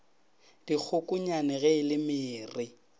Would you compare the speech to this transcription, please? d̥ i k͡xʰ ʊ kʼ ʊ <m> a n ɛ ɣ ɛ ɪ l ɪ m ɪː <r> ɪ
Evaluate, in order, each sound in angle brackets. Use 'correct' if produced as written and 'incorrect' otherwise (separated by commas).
incorrect, correct